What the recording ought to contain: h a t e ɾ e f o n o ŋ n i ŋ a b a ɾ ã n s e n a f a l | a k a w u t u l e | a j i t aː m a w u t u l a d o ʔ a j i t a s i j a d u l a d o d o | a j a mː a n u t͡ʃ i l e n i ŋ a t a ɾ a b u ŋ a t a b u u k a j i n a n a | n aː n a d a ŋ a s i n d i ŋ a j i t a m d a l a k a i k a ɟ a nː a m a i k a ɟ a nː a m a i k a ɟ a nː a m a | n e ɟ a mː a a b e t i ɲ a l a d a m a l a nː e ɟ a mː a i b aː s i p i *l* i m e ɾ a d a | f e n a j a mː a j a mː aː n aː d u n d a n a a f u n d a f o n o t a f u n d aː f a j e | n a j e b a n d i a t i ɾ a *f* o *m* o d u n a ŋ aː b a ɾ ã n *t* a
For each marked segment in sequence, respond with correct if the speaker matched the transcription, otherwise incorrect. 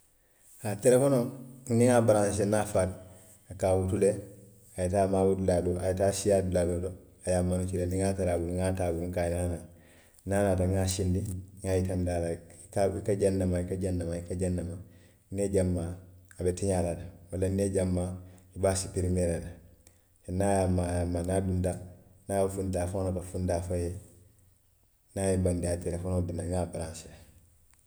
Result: incorrect, correct, incorrect, incorrect

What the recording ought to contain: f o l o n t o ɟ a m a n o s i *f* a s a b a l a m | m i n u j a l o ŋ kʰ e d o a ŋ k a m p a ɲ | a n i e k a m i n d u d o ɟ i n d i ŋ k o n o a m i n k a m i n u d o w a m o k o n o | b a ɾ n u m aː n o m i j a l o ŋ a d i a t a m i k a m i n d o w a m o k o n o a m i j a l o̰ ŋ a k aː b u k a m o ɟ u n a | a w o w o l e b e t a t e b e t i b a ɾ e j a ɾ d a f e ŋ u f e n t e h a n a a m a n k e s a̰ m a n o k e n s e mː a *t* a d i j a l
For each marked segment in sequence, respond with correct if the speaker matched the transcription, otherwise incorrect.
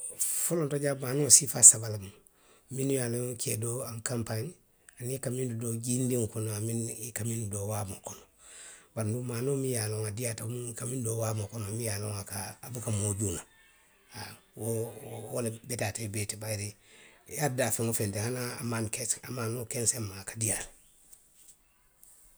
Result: correct, incorrect

